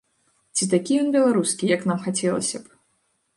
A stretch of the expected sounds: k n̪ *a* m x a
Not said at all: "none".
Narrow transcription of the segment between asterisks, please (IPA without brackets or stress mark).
a